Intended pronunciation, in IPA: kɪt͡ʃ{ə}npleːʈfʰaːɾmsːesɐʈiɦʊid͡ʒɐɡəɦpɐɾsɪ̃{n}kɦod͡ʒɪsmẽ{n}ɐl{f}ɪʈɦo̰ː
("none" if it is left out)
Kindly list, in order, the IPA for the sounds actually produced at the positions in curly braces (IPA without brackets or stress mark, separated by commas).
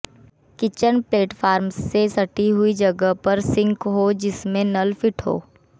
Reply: ə, ŋ, n, f